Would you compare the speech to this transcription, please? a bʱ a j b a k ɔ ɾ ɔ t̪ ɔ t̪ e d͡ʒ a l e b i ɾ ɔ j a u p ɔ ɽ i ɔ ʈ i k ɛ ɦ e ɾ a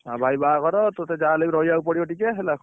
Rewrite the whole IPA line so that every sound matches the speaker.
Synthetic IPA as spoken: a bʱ a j b a k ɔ ɾ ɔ t̪ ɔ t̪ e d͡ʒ a l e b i ɾ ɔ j a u p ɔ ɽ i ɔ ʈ i k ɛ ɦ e l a